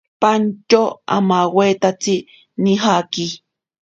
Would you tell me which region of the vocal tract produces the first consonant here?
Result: lips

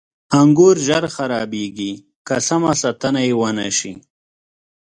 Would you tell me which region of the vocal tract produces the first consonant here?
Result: velum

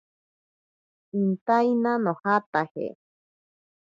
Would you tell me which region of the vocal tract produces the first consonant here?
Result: tongue tip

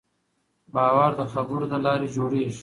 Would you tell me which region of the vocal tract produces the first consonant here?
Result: lips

